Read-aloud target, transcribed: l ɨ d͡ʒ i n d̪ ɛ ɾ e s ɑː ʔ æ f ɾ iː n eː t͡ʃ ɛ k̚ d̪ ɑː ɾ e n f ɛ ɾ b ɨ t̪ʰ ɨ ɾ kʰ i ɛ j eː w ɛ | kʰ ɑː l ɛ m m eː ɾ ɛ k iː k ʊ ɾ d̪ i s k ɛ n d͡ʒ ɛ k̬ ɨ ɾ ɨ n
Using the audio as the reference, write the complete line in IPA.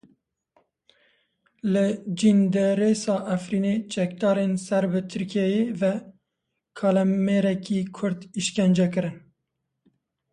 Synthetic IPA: l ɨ d͡ʒ i n d̪ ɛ ɾ e s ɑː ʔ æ f ɾ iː n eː t͡ʃ ɛ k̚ d̪ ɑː ɾ e n s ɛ ɾ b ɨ t̪ʰ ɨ ɾ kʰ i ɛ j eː v ɛ | kʰ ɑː l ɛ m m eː ɾ ɛ k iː kʰ ʊ ɾ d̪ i ʃ k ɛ n d͡ʒ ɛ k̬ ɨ ɾ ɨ n